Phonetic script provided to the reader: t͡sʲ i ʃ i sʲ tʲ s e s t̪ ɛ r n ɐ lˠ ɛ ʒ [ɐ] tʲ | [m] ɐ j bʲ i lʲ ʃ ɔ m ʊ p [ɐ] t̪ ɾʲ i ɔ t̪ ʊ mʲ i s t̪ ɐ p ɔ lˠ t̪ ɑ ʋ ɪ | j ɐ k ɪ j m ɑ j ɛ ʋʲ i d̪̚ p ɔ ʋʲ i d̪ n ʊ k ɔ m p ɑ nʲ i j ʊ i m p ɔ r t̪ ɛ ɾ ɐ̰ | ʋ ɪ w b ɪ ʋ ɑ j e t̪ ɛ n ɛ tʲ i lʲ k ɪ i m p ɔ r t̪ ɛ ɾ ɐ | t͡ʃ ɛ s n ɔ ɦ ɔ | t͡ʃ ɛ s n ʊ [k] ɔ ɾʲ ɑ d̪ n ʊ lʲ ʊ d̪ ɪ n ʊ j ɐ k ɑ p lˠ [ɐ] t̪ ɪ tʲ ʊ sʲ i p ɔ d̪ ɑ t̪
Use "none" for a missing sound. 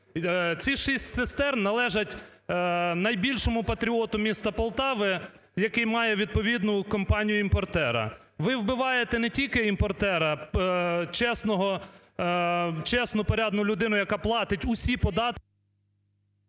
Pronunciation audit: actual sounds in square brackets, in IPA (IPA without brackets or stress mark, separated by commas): ɐ, n, ɐ, p, ɑ